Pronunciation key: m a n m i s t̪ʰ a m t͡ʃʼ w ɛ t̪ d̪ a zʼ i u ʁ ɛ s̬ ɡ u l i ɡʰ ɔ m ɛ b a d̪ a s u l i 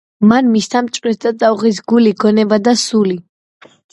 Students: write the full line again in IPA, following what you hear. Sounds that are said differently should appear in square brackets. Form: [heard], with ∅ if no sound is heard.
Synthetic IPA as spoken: m a n m i s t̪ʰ a m t͡ʃʼ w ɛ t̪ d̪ a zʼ [a] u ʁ [i] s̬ ɡ u l i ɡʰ ɔ [n] ɛ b a d̪ a s u l i

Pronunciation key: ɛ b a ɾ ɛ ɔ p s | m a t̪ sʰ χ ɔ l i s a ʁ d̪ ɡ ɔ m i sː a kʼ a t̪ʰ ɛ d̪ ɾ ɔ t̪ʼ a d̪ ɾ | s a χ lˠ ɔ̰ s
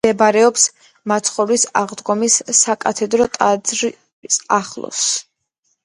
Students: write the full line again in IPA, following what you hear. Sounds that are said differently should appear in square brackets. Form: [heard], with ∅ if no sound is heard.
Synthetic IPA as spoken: ɛ b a ɾ ɛ ɔ p s | m a t̪ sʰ χ ɔ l i s a ʁ d̪ ɡ ɔ m i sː a kʼ a t̪ʰ ɛ d̪ ɾ ɔ t̪ʼ a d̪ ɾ | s a χ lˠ ɔ̰ s

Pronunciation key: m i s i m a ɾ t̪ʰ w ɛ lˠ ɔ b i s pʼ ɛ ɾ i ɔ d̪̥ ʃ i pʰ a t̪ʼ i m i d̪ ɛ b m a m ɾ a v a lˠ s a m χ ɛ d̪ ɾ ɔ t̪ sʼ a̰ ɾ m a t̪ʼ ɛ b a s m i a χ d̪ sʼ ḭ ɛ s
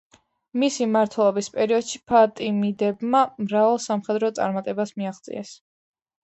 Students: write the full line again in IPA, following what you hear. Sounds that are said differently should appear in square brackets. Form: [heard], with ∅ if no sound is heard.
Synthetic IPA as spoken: m i s i m a ɾ t̪ʰ w ɛ lˠ ɔ b i s pʼ ɛ ɾ i ɔ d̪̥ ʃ i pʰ a t̪ʼ i m i d̪ ɛ b m a m ɾ a v a lˠ s a m χ ɛ d̪ ɾ ɔ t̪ sʼ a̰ ɾ m a t̪ʼ ɛ b a s m i a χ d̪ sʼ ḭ ɛ s

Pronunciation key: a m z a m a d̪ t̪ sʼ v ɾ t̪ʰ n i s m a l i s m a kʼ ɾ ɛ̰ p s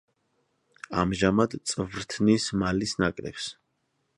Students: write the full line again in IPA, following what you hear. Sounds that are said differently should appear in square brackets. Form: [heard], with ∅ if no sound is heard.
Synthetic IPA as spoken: a m [ʒ] a m a d̪ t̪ sʼ v ɾ t̪ʰ n i s m a l i s [n] a kʼ ɾ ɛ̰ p s

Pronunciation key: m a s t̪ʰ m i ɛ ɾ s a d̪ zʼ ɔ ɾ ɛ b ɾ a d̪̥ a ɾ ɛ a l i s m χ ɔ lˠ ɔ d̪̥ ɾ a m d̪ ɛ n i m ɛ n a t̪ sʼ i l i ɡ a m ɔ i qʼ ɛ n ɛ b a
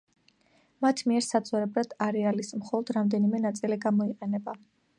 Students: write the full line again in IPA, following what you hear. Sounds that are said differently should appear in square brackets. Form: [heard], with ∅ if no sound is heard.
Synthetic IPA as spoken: m a [∅] t̪ʰ m i ɛ ɾ s a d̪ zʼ ɔ ɾ ɛ b ɾ a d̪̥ a ɾ ɛ a l i s m χ ɔ lˠ ɔ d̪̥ ɾ a m d̪ ɛ n i m ɛ n a t̪ sʼ i l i ɡ a m ɔ i qʼ ɛ n ɛ b a

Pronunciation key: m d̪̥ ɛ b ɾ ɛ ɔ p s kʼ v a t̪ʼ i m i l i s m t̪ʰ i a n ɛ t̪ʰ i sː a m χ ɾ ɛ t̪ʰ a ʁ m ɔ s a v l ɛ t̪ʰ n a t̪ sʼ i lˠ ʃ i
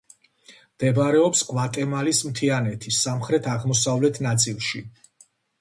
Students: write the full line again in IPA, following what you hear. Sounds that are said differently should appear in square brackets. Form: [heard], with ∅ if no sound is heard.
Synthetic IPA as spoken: m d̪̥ ɛ b ɾ ɛ ɔ p s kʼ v a t̪ʼ [ɛ] m [a] l i s m t̪ʰ i a n ɛ t̪ʰ i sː a m χ ɾ ɛ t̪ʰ a ʁ m ɔ s a v l ɛ t̪ʰ n a t̪ sʼ i lˠ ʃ i

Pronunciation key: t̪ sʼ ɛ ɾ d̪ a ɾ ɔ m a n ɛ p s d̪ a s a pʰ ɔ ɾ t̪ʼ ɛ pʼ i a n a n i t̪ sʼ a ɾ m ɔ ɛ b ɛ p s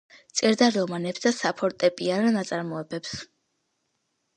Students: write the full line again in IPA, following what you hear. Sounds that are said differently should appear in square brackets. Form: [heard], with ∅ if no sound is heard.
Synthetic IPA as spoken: t̪ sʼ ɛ ɾ d̪ a ɾ ɔ m a n ɛ p s d̪ a s a pʰ ɔ ɾ t̪ʼ ɛ pʼ i a n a n [a] t̪ sʼ a ɾ m ɔ ɛ b ɛ p s

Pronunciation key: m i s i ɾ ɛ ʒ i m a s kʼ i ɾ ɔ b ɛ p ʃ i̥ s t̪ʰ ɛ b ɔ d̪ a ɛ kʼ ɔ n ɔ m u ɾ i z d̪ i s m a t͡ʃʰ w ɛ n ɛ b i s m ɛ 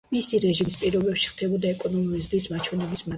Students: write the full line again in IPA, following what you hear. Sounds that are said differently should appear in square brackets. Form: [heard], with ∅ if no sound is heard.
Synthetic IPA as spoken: m i s i ɾ ɛ ʒ i m [i] s [pʼ] i ɾ ɔ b ɛ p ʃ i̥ [χ] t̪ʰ ɛ b ɔ d̪ a ɛ kʼ ɔ n ɔ m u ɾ i z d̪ i s m a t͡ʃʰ w ɛ n ɛ b i s m [a]

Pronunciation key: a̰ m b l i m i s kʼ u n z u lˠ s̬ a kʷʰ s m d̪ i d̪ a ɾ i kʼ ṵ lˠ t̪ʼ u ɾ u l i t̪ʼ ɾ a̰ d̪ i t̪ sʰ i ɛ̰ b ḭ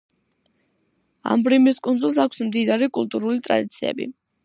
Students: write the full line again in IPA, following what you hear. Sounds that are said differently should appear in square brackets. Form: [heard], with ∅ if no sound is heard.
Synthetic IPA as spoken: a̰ m b [ɾ] i m i s kʼ u n z u lˠ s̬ a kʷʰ s m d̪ i d̪ a ɾ i kʼ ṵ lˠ t̪ʼ u ɾ u l i t̪ʼ ɾ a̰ d̪ i t̪ sʰ i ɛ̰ b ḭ

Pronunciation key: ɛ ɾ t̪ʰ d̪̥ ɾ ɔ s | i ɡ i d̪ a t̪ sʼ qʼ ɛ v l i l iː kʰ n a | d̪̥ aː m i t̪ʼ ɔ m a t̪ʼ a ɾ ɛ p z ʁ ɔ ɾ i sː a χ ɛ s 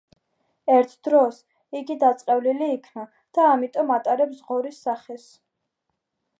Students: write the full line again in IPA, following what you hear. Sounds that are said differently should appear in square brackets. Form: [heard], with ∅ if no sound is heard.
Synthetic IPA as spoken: ɛ ɾ t̪ʰ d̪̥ ɾ ɔ s | i ɡ i d̪ a t̪ sʼ qʼ ɛ v l i l iː kʰ n a | d̪̥ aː m i t̪ʼ ɔ m a t̪ʼ a ɾ ɛ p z ʁ ɔ ɾ i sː a χ ɛ s

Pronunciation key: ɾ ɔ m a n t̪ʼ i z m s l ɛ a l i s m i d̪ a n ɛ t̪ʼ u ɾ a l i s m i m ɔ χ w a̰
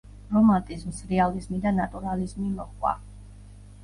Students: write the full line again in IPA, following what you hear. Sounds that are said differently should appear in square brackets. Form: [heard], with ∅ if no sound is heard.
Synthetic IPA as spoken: ɾ ɔ m a n t̪ʼ i z m s [ɾ] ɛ a l i [z] m i d̪ a n [a] t̪ʼ u ɾ a l i [z] m i m ɔ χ w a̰

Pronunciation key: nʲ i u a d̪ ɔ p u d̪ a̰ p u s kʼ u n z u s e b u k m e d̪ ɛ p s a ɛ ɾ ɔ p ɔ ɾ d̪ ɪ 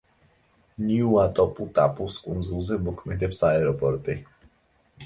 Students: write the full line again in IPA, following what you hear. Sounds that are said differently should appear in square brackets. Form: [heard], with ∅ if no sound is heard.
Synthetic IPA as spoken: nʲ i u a [t̪] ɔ p u [t̪] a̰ p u s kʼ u n z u [z] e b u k m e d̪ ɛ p s a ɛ ɾ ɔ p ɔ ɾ [t̪] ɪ

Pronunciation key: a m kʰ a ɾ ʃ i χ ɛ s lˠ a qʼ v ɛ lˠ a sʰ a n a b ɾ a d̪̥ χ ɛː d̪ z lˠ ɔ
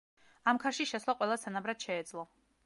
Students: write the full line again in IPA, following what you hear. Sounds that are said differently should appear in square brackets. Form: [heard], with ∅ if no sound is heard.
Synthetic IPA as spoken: a m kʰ a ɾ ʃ i [ʃ] ɛ s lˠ a qʼ [w] ɛ lˠ a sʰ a n a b ɾ a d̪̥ [ʃ] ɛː d̪ z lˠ ɔ

